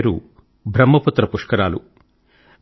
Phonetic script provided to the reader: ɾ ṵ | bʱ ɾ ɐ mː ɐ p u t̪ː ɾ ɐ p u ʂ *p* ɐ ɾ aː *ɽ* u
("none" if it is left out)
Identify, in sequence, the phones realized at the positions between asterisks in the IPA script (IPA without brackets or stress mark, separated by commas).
k, l